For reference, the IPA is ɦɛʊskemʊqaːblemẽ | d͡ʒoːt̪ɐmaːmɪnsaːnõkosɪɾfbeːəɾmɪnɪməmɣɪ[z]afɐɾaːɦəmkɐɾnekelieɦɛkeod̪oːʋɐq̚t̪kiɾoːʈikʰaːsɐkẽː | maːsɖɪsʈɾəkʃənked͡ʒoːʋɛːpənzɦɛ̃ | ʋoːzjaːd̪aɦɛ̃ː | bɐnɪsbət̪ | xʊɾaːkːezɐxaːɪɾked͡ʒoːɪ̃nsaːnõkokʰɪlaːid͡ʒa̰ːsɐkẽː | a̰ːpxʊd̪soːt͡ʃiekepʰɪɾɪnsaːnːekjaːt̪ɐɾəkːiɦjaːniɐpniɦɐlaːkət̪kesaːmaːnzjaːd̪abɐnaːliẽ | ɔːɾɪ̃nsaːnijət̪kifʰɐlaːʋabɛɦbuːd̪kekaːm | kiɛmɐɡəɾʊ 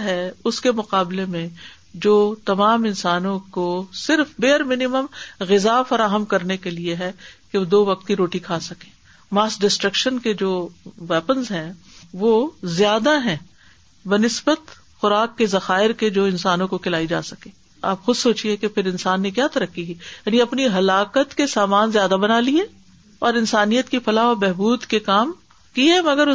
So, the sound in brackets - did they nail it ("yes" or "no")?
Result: yes